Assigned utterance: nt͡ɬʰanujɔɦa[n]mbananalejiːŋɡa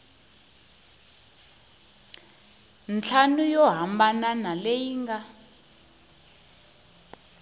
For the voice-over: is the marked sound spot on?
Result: no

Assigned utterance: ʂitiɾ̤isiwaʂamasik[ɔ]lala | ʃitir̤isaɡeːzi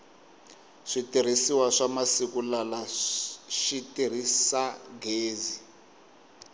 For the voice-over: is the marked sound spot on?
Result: no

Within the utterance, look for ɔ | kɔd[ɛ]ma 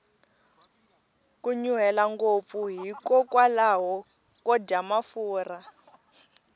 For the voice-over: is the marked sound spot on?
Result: no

